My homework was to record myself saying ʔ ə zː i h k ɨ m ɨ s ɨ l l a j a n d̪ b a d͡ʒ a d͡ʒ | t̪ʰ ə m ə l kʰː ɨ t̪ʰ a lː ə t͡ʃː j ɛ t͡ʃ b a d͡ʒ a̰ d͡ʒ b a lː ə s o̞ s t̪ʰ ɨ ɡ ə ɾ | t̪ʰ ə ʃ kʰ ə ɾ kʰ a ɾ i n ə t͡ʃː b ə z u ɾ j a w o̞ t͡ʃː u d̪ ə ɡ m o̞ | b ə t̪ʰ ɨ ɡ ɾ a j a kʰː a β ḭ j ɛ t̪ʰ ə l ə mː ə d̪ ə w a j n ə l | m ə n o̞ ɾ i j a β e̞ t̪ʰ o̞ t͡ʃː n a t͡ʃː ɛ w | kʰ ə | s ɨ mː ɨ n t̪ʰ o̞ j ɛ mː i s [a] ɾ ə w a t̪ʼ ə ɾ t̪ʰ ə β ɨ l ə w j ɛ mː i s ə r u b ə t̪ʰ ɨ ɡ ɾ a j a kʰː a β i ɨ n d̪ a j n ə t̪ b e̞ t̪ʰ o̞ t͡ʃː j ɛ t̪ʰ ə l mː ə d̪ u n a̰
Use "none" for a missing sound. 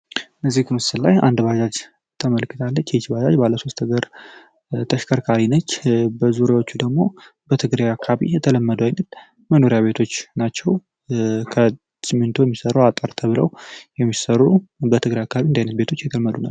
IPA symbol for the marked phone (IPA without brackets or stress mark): ə